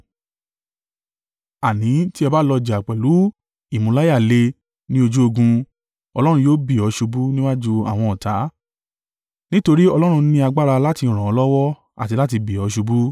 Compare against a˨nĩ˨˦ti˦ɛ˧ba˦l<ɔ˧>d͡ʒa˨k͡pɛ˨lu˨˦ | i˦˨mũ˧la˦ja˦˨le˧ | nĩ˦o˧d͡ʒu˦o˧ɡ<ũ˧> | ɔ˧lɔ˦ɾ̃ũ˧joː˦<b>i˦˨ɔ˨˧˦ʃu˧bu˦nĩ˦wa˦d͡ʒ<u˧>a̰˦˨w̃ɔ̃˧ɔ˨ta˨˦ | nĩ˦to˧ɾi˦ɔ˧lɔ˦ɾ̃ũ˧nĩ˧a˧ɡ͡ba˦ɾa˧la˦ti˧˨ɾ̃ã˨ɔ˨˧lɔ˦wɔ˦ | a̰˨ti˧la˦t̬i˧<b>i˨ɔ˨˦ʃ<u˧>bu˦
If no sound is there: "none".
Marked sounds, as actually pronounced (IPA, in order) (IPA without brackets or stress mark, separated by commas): ɔ˧, ũ˧, b, u˧, b, u˧